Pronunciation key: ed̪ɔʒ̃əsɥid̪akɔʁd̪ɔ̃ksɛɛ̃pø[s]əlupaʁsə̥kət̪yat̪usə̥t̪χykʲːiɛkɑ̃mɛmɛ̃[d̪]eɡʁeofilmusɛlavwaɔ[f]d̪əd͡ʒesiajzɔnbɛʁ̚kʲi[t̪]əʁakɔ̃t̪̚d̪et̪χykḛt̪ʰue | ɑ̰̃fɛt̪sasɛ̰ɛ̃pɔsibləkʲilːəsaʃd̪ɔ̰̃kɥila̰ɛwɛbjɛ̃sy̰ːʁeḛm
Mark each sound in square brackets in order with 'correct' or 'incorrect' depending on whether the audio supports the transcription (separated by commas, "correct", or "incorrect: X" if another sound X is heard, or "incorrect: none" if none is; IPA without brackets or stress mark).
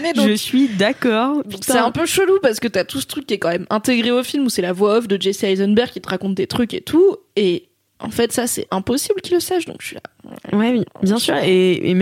incorrect: ʃ, incorrect: t̪, correct, correct